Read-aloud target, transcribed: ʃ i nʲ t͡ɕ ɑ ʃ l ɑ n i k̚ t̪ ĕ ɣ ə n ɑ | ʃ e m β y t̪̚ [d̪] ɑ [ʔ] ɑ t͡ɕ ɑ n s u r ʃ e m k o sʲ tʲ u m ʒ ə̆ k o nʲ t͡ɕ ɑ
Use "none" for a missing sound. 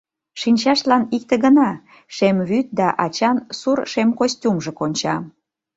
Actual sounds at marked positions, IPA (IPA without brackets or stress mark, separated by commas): d̪, ʔ